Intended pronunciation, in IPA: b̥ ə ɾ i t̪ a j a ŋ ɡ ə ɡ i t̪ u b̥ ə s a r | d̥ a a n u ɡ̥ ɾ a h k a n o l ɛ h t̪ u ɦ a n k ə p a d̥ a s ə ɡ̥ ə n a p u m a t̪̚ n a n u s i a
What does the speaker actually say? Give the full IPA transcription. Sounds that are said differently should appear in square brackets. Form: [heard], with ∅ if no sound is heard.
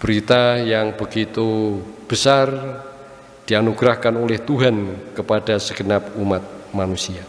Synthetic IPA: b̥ ə ɾ i t̪ a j a ŋ [b] ə ɡ i t̪ u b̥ ə s a r | d̥ [i] a n u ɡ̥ ɾ a h k a n o l ɛ h t̪ u ɦ a n k ə p a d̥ a s ə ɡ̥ ə n a p u m a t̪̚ [m] a n u s i a